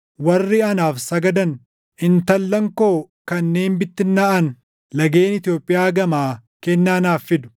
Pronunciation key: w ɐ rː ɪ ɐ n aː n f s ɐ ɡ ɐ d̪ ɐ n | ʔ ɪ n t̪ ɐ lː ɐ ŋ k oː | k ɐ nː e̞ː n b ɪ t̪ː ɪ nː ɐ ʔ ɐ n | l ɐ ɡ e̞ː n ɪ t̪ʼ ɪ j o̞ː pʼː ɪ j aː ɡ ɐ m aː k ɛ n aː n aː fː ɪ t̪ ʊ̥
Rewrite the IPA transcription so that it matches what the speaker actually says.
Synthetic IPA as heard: w ɐ rː ɪ ɐ n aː f s ɐ ɡ ɐ d̪ ɐ n | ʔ ɪ n t̪ ɐ lː ɐ ŋ k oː | k ɐ nː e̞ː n b ɪ t̪ː ɪ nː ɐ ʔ ɐ n | l ɐ ɡ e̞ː n ɪ t̪ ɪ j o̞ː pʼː ɪ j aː ɡ ɐ m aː k ɛ nː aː n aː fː ɪ d̪ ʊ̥